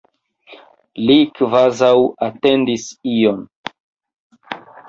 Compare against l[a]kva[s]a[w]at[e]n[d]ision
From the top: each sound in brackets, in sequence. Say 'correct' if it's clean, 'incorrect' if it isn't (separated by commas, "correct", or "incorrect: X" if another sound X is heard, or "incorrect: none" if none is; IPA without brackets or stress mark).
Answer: incorrect: i, incorrect: z, correct, correct, correct